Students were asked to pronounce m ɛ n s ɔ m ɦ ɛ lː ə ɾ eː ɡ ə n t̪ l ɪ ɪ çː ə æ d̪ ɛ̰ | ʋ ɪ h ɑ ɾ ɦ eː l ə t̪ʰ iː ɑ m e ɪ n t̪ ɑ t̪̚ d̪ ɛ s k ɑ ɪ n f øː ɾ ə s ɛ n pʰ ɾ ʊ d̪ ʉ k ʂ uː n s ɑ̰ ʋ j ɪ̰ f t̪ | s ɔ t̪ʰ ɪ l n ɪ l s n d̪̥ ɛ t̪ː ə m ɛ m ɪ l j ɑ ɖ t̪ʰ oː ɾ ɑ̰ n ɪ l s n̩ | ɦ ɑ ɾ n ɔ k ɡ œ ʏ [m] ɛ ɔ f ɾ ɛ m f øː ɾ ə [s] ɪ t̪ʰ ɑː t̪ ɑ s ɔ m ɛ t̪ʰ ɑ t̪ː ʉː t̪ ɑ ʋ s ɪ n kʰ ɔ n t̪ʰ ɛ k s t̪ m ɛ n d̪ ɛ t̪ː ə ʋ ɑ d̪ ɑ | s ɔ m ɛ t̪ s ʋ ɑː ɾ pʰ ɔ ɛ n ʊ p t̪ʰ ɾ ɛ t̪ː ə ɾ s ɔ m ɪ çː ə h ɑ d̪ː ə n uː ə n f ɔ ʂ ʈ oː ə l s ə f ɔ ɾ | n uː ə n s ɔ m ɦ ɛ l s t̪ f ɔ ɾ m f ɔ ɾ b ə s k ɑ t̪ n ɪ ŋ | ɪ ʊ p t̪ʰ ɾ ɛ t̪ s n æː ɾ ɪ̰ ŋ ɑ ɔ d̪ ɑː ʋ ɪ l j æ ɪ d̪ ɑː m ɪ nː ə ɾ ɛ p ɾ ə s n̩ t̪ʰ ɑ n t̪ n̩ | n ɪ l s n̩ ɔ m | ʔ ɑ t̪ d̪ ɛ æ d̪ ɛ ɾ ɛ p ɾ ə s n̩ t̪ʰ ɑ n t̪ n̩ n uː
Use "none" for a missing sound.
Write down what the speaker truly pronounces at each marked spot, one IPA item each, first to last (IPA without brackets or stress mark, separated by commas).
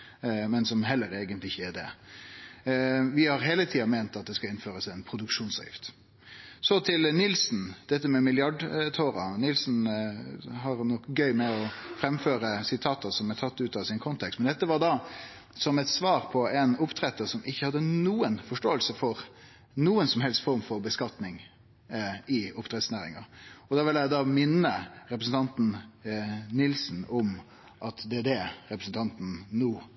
m, s